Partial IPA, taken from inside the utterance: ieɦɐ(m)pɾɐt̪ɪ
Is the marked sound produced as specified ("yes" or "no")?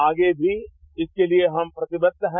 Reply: yes